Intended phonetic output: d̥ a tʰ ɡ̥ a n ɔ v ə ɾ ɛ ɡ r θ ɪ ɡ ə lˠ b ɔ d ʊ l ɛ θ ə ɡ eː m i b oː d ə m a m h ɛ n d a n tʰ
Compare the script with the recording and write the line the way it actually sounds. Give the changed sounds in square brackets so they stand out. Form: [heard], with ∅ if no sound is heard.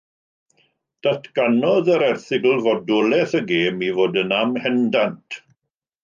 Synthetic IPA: d̥ a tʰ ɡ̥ a n ɔ [ð] ə ɾ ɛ [∅] r θ ɪ ɡ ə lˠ [v] ɔ d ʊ l ɛ θ ə ɡ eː m i [v] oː d ə [n] a m h ɛ n d a n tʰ